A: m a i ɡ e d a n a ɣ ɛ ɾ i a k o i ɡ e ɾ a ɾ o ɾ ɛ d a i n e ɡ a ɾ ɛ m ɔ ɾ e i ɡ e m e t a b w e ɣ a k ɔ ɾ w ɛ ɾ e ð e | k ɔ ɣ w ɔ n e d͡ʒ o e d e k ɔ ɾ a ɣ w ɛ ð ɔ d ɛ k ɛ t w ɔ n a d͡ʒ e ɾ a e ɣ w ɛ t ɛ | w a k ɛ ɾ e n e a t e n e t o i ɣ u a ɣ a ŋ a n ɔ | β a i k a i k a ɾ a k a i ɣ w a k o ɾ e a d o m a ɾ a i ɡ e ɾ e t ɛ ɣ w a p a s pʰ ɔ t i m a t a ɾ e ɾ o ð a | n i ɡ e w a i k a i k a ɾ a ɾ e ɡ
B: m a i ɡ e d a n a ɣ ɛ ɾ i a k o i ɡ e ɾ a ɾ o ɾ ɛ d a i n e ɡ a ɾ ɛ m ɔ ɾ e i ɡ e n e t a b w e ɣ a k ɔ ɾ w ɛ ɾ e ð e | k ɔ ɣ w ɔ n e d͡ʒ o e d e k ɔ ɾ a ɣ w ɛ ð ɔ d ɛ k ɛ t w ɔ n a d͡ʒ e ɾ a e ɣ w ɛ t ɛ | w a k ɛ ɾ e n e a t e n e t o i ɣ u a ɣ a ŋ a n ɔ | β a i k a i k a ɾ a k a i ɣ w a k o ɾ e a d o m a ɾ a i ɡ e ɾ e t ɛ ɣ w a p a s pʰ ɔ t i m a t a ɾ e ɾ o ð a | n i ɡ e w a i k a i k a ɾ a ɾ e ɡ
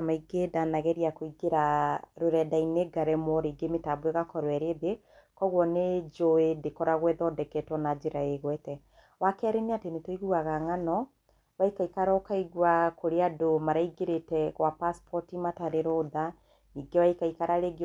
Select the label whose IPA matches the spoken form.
A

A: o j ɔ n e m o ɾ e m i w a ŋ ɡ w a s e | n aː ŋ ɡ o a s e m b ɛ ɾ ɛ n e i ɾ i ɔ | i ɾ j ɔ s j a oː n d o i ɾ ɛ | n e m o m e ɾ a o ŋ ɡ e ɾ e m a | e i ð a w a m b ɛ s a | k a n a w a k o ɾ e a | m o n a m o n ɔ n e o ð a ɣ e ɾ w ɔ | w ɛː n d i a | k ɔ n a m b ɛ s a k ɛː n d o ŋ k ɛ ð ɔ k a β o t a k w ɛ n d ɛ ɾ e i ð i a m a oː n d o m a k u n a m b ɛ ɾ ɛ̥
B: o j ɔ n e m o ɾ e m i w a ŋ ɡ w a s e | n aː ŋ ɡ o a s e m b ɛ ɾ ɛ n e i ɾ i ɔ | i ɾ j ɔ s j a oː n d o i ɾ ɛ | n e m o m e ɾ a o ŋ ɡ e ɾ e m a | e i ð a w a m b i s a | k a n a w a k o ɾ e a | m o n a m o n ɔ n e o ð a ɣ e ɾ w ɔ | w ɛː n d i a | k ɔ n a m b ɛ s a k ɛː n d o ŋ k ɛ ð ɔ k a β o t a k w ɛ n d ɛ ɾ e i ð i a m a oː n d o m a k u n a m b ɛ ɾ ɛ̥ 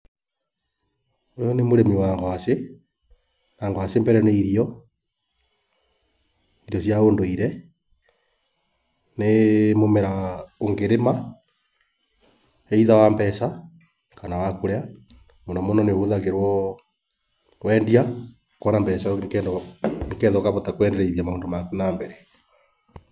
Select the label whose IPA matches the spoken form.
A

